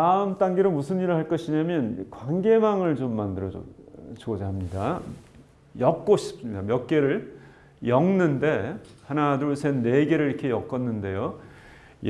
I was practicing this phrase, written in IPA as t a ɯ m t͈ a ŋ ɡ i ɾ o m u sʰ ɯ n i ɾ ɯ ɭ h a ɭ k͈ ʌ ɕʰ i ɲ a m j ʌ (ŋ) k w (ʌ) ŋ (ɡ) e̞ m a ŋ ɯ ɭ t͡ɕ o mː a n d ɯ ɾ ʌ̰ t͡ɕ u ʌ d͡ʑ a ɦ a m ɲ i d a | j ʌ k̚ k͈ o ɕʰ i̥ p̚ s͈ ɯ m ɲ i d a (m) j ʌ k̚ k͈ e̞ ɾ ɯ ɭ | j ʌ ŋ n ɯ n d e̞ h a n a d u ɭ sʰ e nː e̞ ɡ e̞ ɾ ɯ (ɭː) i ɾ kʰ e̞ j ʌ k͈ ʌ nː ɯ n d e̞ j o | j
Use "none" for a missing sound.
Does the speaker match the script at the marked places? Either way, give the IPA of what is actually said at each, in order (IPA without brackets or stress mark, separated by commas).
n, a, ɡ, m, ɭ